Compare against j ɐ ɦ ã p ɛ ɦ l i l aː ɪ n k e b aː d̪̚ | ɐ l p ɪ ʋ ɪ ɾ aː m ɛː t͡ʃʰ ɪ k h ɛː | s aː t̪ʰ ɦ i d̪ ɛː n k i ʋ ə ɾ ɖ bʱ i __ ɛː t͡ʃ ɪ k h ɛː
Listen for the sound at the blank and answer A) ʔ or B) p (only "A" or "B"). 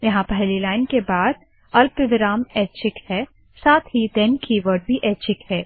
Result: A